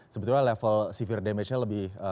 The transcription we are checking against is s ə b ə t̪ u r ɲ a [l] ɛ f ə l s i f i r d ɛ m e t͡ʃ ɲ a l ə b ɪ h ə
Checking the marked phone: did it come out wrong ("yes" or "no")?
no